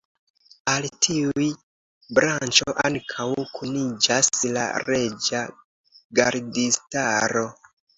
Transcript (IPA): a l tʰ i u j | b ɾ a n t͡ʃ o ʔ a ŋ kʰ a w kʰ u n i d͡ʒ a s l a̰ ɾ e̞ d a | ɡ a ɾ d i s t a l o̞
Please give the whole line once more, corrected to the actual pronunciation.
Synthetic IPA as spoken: a l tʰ i u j | b ɾ a n t͡ʃ o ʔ a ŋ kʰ a w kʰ u n i d͡ʒ a s l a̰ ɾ e̞ d͡ʒ a | ɡ a ɾ d i s t a ɾ o̞